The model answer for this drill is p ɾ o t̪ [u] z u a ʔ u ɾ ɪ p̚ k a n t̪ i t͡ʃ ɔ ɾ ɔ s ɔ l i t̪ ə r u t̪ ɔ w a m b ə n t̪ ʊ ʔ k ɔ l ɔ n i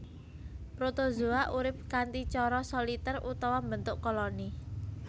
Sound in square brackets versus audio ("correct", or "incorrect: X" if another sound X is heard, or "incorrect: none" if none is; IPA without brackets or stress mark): incorrect: o